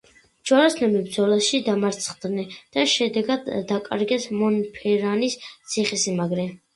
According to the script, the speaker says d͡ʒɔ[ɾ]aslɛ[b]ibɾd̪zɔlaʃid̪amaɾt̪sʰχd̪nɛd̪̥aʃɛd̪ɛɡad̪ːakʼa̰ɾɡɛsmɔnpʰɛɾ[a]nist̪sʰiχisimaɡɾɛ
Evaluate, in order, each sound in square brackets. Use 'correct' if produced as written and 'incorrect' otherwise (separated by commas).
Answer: correct, incorrect, correct